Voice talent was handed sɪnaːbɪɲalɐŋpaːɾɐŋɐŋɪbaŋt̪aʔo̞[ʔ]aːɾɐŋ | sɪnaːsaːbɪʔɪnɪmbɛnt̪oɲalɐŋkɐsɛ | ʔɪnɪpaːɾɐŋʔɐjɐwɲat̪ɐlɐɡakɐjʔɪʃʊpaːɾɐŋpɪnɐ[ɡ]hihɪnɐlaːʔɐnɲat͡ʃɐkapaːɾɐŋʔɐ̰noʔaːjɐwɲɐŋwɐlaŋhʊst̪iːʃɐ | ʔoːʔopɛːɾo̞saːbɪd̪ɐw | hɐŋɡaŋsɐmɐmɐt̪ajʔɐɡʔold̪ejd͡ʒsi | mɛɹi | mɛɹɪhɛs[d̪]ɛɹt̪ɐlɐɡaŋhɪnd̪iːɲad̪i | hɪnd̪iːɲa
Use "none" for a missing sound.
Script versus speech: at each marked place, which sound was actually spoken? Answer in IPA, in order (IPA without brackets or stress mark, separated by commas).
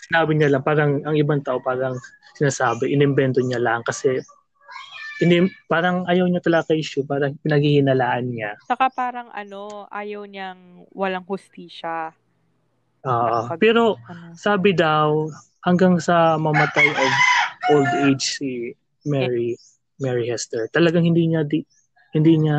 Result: p, ɡ, t̪